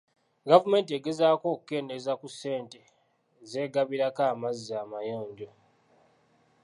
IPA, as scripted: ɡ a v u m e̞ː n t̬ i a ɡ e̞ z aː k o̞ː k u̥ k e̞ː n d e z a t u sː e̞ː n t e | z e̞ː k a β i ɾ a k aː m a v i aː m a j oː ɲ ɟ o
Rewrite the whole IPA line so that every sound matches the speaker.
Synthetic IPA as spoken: ɡ a v u m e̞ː n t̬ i e ɡ e̞ z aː k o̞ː k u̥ k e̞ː n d e z a k u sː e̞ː n t e | z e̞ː ɡ a β i ɾ a k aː m a z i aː m a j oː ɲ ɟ o